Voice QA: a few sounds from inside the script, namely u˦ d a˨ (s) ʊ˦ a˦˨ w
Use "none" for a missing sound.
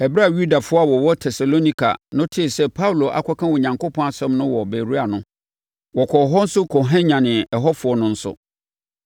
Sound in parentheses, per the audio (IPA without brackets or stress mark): f